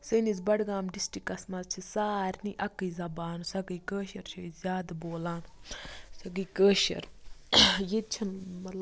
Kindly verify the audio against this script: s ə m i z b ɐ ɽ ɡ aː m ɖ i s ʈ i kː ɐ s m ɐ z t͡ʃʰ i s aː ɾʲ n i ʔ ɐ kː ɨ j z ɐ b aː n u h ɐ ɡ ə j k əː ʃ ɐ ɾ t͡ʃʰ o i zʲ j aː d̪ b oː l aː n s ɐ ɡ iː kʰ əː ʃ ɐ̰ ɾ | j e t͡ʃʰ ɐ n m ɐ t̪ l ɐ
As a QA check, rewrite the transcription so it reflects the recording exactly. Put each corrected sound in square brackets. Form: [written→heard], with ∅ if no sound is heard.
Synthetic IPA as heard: s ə [m→n] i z b ɐ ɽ ɡ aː m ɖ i s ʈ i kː ɐ s m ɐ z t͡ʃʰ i s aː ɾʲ n i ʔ ɐ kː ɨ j z ɐ b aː n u [h→s] ɐ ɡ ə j k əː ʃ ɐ ɾ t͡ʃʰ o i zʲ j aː d̪ b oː l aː n s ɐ ɡ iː [kʰ→k] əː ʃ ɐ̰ ɾ | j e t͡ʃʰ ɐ n m ɐ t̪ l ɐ